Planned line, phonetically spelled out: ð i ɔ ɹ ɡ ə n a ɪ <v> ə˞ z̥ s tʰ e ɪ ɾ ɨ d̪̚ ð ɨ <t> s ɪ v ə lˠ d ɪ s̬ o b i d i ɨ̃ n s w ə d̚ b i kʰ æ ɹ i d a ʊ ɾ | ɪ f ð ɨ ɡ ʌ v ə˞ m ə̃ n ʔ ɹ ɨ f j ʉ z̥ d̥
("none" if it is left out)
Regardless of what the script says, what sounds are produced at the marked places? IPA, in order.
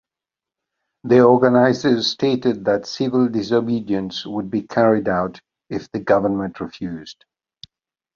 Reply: z, t

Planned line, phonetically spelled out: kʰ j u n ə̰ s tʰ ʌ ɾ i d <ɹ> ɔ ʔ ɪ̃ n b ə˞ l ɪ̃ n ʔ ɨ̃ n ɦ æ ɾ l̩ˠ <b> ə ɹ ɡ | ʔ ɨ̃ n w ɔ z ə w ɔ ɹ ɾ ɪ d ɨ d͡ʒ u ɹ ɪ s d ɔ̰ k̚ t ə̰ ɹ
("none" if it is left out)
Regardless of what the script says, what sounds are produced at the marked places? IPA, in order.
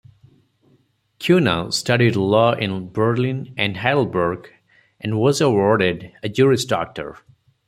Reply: l, b

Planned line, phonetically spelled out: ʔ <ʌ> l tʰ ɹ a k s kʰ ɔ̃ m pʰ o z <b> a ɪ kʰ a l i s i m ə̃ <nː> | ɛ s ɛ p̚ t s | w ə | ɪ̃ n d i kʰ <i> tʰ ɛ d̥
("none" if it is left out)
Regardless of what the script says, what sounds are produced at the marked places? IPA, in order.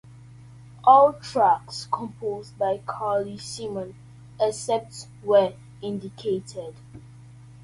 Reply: ɔ, b, n, e

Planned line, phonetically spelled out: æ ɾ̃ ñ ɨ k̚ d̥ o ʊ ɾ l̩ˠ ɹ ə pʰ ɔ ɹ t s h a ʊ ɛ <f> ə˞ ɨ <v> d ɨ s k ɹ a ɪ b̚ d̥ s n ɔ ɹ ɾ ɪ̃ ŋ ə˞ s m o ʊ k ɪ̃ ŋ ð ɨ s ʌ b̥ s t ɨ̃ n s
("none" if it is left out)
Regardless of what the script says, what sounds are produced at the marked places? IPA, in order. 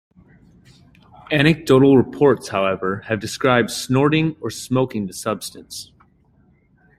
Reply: v, v

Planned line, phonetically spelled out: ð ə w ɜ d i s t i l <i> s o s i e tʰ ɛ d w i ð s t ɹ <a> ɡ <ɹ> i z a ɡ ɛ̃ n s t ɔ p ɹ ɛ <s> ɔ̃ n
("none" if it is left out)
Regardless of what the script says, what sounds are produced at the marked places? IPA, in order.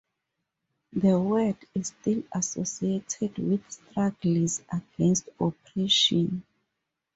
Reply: a, a, l, ʃ

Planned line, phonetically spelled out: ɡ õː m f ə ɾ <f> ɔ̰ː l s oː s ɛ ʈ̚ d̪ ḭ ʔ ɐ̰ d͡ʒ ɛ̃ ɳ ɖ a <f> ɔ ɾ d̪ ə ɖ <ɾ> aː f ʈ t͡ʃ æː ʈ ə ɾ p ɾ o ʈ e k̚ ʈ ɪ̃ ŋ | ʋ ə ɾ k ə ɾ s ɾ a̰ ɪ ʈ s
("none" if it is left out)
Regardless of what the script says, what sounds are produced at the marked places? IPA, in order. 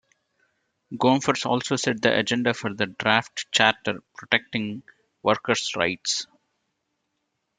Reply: s, f, ɾ

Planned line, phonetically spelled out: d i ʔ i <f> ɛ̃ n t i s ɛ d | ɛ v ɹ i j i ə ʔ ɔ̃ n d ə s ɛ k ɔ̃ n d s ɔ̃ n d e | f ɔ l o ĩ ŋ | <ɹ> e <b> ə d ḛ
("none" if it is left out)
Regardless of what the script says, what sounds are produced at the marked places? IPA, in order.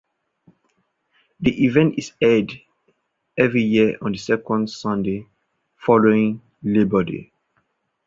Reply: v, l, b

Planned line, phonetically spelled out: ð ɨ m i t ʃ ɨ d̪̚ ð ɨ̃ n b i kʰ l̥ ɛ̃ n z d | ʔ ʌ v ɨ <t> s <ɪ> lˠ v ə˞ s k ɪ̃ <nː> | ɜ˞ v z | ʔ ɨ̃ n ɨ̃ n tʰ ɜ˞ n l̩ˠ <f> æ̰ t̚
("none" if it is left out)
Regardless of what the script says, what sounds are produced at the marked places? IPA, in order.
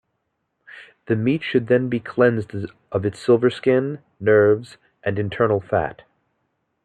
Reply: t, ɪ, nː, f

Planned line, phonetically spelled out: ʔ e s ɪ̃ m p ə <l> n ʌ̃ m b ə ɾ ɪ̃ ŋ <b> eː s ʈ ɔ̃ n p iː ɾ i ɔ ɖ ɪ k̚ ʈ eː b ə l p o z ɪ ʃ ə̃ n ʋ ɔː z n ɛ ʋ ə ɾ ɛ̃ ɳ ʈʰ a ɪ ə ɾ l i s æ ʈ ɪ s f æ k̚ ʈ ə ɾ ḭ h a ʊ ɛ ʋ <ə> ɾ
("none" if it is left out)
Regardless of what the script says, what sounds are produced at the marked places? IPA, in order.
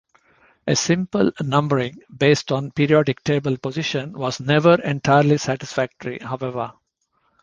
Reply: l, b, ə

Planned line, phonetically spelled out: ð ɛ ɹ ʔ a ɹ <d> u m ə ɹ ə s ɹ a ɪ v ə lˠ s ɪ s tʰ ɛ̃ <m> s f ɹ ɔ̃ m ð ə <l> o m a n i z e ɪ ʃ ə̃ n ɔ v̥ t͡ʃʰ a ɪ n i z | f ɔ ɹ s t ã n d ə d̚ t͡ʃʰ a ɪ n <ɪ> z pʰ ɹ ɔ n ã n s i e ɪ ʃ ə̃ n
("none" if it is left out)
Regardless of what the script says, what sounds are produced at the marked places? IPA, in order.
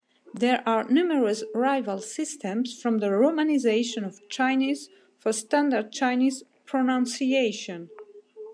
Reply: n, m, ɹ, i

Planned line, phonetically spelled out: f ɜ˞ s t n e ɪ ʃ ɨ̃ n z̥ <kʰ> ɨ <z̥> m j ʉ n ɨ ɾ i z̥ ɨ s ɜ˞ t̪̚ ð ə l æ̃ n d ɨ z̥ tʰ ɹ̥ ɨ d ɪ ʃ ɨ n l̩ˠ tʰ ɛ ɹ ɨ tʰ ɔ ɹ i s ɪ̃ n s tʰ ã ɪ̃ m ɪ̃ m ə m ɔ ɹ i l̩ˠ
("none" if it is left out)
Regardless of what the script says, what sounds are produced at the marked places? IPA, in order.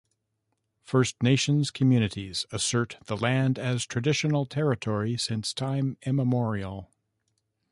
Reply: kʰ, none

